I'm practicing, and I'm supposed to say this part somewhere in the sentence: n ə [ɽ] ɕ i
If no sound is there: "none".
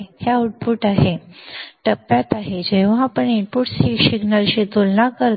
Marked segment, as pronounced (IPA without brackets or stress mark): l